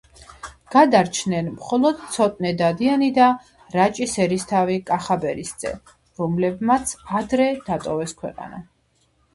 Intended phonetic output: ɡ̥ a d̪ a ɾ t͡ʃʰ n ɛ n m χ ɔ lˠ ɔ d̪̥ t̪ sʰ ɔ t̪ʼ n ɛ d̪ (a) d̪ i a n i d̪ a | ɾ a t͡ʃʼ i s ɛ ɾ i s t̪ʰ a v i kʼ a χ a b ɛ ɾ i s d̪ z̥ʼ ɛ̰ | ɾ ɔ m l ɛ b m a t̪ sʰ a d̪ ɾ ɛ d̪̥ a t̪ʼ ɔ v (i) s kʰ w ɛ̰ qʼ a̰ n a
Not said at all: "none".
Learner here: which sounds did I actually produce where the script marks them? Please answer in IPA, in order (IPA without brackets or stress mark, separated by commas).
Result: a, ɛ